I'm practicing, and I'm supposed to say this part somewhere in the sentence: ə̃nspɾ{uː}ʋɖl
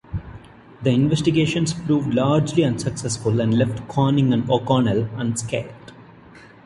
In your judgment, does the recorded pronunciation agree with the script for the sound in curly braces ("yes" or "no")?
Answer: yes